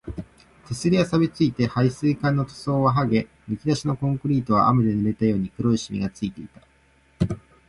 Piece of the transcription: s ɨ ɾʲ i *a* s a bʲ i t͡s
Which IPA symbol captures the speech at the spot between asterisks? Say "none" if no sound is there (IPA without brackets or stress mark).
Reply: a